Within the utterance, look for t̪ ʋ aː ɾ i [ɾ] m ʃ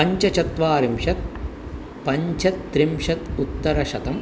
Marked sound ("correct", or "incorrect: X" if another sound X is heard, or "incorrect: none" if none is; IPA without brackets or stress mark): incorrect: none